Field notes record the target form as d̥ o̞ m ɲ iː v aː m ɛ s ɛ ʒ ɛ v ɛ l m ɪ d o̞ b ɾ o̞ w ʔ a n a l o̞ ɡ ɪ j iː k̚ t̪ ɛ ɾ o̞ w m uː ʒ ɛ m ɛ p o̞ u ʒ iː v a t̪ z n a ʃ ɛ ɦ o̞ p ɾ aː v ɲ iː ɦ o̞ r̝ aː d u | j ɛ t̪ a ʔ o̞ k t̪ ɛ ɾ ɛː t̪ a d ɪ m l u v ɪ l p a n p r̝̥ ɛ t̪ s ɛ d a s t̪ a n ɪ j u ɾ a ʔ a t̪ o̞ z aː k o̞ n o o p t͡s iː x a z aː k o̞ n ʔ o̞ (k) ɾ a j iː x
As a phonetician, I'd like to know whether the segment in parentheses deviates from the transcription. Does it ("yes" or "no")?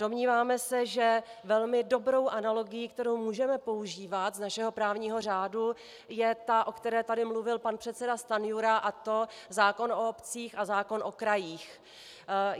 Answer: no